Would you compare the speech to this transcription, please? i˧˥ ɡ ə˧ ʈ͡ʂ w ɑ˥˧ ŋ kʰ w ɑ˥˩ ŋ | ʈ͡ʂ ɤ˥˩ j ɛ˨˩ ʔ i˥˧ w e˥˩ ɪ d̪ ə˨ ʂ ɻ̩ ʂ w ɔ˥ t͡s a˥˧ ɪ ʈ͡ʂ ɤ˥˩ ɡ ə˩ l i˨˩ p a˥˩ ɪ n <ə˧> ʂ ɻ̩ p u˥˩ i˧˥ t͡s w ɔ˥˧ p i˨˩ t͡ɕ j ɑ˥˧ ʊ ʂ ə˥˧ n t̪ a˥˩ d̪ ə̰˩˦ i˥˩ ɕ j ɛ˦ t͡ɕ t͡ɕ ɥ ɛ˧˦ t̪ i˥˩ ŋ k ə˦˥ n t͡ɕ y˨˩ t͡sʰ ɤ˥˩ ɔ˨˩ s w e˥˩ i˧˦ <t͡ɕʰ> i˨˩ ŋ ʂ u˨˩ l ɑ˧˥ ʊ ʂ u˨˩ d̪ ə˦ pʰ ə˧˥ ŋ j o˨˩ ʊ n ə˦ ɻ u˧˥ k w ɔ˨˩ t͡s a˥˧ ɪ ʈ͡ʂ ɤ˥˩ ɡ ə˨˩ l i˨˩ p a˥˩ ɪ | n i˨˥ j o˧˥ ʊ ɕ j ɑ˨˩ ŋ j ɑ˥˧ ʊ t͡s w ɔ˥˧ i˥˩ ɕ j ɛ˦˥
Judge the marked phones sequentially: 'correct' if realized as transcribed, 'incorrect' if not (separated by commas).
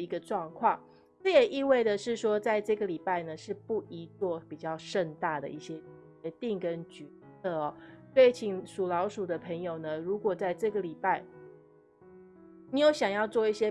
incorrect, correct